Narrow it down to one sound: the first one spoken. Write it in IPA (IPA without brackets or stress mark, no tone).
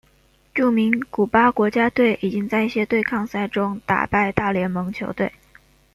ʈ͡ʂ